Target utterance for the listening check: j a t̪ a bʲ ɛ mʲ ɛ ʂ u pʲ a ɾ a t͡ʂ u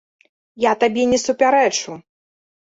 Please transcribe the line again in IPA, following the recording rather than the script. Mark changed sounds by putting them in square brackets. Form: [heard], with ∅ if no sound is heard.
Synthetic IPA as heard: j a t̪ a bʲ ɛ [nʲ] ɛ [s] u pʲ a ɾ [ɛ] t͡ʂ u